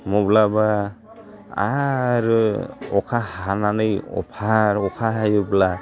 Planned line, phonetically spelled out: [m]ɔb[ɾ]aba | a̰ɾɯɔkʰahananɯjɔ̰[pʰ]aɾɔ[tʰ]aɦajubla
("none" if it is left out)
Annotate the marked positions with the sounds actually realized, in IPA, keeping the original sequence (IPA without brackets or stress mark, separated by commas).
m, l, pʰ, kʰ